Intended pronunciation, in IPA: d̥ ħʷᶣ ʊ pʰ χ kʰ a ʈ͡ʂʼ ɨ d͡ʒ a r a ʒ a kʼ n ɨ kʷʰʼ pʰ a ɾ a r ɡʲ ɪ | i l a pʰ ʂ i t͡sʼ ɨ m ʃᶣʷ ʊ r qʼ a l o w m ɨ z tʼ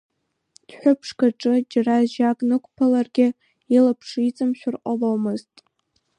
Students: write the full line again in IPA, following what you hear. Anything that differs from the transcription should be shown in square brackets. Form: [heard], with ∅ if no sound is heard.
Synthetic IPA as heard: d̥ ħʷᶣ ʊ pʰ [ʂ] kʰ a ʈ͡ʂʼ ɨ d͡ʒ a r a ʒ a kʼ n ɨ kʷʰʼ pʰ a [l] a r ɡʲ ɪ | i l a pʰ ʂ i t͡sʼ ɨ m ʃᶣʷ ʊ r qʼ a l o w m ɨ z tʼ